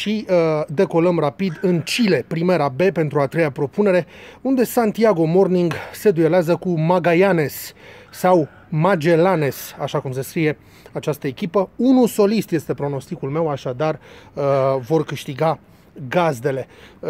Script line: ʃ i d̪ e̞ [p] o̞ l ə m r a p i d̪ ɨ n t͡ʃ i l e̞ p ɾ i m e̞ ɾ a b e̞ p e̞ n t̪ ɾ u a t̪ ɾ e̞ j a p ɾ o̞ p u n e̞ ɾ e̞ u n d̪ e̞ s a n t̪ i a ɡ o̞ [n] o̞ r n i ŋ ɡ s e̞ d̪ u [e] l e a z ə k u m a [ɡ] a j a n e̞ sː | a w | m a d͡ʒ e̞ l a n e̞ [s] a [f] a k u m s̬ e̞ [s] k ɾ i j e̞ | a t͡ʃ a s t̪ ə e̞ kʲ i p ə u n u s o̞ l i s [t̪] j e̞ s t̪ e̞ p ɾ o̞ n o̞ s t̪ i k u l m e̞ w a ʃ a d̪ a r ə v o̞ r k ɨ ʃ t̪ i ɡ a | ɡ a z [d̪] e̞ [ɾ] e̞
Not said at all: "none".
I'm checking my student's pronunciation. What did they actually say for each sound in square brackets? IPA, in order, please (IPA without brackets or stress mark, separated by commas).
k, m, e, ɡ, s, ʃ, s, t̪, d̪, l